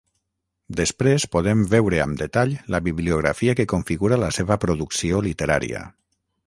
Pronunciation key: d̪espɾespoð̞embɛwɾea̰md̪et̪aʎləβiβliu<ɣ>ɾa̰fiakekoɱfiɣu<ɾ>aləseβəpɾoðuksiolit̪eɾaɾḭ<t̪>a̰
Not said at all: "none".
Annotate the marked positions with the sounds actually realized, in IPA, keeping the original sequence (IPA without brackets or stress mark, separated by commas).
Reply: ɣ, ɾ, none